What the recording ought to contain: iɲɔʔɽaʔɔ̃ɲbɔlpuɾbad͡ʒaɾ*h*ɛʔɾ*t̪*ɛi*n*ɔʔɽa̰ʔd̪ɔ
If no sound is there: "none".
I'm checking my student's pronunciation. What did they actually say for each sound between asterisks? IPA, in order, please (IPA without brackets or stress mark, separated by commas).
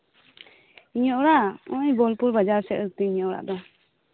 s, t̪, ɲ